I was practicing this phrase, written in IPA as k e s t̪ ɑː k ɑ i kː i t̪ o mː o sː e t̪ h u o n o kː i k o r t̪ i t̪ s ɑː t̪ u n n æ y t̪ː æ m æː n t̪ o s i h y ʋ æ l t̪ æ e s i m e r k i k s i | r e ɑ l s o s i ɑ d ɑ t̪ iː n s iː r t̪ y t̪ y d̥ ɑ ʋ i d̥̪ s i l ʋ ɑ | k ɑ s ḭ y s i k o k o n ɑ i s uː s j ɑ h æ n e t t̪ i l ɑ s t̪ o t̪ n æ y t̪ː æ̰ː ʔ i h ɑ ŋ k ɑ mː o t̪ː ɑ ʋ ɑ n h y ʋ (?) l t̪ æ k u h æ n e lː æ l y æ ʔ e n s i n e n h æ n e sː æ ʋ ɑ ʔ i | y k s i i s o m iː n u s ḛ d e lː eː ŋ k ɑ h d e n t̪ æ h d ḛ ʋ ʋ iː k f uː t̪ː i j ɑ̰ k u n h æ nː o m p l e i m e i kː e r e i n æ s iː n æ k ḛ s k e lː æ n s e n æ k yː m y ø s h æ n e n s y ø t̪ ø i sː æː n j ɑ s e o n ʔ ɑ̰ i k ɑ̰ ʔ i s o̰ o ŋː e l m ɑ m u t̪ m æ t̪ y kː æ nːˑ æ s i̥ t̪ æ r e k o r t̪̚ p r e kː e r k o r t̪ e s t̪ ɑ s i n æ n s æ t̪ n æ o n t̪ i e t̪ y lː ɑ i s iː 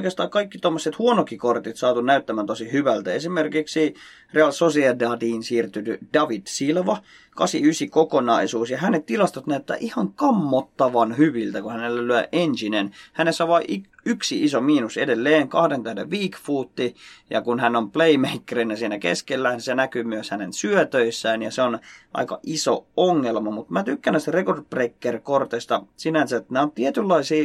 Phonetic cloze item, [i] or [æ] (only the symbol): i